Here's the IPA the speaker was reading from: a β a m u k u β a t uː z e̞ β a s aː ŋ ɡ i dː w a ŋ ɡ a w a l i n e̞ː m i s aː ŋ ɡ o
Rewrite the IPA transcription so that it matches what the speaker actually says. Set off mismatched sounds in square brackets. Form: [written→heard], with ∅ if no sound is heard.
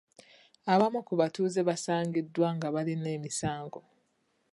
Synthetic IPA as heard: a β a m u k u β a t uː z e̞ β a s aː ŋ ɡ i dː w a ŋ ɡ a [w→β] a l i n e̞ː m i s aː ŋ ɡ o